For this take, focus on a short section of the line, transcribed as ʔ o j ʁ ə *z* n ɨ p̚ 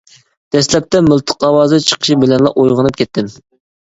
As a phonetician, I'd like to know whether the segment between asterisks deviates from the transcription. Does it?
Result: yes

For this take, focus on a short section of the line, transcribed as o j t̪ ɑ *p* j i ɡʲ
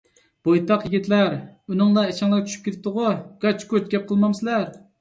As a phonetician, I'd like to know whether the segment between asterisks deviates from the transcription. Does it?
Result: yes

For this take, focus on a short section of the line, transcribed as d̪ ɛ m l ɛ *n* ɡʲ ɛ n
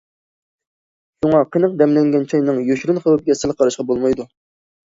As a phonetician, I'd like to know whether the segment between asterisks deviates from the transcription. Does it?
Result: yes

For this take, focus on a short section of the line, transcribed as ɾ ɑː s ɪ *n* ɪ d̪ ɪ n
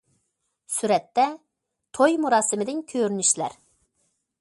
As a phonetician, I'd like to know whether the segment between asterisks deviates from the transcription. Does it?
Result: yes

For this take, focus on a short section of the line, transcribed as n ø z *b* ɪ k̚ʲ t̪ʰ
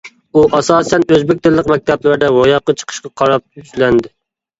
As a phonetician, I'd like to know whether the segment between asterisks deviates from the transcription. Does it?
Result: no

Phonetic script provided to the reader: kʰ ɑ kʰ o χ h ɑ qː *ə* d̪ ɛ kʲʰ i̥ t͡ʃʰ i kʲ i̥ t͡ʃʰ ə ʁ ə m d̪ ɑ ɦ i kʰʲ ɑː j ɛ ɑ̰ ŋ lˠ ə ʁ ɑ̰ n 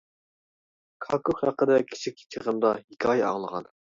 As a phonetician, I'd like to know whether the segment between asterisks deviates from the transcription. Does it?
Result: no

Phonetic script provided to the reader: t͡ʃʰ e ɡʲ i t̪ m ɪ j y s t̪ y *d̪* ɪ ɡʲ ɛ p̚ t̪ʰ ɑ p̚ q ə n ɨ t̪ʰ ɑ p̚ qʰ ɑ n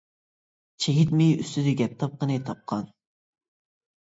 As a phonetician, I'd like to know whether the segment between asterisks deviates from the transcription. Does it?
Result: no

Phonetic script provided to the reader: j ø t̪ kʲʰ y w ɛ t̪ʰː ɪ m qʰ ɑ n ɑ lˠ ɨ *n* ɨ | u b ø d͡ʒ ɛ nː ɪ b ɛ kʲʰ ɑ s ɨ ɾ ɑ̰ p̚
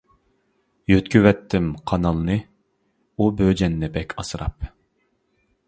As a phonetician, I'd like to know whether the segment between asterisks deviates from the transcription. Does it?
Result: no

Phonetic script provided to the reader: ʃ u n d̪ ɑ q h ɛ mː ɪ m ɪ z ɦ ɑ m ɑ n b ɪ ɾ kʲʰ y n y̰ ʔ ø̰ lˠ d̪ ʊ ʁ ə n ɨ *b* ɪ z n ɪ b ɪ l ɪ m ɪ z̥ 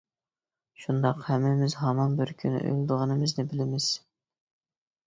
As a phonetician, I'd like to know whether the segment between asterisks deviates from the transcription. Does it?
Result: yes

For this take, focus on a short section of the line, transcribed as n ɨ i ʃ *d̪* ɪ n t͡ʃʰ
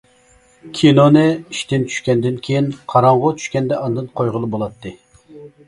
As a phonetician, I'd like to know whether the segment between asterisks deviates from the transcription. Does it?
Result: yes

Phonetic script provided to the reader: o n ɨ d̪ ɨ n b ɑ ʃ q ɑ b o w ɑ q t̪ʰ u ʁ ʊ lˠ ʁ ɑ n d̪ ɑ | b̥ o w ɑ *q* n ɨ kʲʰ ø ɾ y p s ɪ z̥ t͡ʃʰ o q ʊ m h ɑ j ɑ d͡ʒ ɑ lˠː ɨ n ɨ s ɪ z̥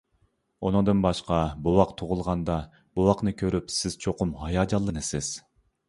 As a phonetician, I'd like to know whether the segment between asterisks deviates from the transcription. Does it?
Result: no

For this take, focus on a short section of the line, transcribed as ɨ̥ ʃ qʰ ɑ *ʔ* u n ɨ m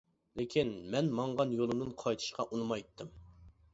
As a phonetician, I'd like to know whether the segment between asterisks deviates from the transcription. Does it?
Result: no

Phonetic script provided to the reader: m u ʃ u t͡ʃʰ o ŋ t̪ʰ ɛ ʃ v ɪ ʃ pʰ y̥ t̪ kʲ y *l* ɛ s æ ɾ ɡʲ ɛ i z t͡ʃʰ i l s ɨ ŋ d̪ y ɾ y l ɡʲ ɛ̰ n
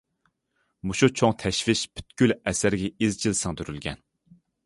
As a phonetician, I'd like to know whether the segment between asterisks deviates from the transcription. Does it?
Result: no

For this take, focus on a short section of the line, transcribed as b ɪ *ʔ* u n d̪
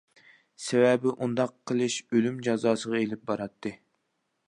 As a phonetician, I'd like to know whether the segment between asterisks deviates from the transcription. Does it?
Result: no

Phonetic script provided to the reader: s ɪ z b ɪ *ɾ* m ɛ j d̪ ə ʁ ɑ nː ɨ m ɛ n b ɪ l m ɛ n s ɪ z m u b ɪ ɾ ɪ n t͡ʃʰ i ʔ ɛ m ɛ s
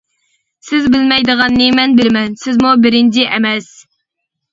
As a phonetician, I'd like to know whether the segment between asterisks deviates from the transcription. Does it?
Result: yes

